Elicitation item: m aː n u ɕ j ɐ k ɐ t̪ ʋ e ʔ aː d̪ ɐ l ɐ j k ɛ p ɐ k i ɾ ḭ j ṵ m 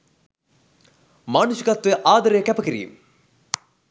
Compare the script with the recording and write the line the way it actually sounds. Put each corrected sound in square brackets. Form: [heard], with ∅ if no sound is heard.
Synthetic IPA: m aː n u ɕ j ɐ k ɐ t̪ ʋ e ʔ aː d̪ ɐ [ɾ] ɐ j k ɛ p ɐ k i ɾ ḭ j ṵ m